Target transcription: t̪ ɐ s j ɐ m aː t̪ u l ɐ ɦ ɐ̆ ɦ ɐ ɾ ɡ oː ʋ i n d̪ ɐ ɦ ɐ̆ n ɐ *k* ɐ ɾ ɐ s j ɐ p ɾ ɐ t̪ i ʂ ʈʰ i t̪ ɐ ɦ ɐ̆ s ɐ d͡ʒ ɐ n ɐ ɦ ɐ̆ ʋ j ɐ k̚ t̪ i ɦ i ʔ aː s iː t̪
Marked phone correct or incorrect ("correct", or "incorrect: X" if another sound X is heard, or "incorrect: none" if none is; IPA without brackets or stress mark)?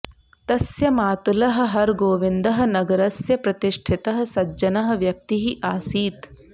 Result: incorrect: ɡ